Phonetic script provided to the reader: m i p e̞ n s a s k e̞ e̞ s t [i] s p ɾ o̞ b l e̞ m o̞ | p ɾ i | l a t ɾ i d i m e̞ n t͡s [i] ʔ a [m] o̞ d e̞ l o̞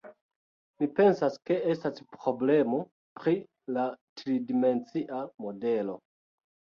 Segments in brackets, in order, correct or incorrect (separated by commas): incorrect, correct, correct